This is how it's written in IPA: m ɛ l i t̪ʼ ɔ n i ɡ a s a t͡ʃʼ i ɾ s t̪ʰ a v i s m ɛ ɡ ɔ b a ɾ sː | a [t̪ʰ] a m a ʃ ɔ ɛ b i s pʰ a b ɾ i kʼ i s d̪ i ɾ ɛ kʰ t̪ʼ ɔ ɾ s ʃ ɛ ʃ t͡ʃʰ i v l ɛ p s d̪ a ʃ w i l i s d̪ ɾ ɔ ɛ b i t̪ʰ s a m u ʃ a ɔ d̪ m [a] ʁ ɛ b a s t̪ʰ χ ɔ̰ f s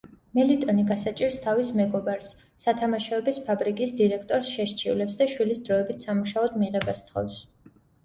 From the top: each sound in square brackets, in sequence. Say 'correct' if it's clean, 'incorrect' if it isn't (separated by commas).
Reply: correct, incorrect